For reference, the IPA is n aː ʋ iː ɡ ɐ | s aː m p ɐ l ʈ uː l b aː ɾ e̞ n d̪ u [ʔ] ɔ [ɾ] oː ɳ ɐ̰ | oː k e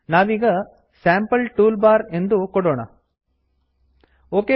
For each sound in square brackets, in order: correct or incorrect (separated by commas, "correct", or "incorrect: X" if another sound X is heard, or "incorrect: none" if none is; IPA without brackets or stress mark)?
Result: incorrect: k, incorrect: ɽ